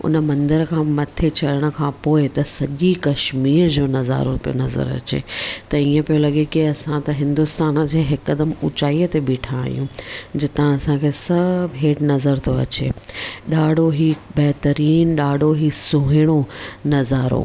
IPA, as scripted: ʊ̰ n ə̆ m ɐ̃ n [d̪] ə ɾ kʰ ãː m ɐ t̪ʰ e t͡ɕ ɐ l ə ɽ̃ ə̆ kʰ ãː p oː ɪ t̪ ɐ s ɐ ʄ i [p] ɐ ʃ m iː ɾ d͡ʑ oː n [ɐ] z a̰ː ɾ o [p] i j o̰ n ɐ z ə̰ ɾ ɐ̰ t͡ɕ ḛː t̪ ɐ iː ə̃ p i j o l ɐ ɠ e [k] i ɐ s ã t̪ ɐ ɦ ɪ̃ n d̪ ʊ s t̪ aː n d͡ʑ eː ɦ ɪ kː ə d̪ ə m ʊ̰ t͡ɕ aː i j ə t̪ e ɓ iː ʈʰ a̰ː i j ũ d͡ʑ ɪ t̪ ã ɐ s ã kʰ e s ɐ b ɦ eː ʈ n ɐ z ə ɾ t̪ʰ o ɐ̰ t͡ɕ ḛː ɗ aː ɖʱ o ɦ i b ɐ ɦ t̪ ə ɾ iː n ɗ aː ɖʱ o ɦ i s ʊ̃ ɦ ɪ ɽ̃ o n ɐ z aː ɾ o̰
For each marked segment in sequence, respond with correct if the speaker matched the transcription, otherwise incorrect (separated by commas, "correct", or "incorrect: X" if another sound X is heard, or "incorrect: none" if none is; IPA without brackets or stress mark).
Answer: correct, incorrect: k, correct, correct, correct